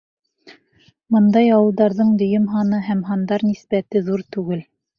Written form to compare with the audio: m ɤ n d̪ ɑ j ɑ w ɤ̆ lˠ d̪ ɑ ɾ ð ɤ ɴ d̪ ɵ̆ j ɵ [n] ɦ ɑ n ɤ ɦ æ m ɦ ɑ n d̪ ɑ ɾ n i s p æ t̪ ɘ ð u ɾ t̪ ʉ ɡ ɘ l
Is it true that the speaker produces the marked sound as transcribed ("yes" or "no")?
no